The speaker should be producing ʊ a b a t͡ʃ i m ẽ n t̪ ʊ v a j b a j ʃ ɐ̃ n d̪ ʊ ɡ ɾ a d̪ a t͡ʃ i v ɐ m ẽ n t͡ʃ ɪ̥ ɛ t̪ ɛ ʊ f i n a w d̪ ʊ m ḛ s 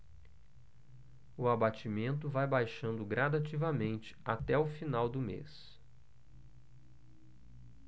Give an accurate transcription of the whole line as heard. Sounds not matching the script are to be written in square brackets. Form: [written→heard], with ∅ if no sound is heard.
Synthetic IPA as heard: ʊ a b a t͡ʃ i m ẽ n t̪ ʊ v a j b a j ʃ ɐ̃ n d̪ ʊ ɡ ɾ a d̪ a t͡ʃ i v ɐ m ẽ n t͡ʃ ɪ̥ [ɛ→a] t̪ ɛ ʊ f i n a w d̪ ʊ m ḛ s